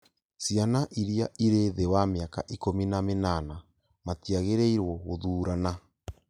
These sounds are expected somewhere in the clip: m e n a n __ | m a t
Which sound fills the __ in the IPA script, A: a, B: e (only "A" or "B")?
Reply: A